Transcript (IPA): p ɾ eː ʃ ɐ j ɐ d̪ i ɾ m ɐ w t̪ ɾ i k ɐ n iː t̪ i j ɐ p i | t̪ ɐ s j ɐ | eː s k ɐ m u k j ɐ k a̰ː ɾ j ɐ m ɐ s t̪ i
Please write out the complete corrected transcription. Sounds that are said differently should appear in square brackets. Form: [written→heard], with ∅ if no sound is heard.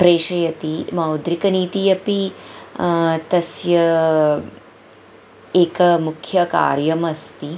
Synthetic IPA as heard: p ɾ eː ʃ ɐ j ɐ [d̪→t̪] i [ɾ→∅] m ɐ w [t̪→d̪] ɾ i k ɐ n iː t̪ i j ɐ p i | t̪ ɐ s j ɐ | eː [s→∅] k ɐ m u [k→kʰ] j ɐ k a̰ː ɾ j ɐ m ɐ s t̪ i